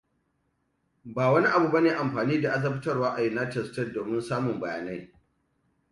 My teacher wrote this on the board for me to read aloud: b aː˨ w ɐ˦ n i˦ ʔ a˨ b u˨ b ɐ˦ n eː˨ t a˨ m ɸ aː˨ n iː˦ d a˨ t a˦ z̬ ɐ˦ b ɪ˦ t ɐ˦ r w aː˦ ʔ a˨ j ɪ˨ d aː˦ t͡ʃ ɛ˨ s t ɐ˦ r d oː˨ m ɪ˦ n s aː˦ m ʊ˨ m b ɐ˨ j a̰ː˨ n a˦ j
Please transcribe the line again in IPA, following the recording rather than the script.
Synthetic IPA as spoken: b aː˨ w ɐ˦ n i˦ ʔ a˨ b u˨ b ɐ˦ n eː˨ ʔ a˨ m ɸ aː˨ n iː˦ d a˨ ʔ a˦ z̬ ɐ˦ b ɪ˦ t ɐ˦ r w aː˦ ʔ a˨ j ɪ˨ n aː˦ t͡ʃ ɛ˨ s t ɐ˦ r d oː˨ m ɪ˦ n s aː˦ m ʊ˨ m b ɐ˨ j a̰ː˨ n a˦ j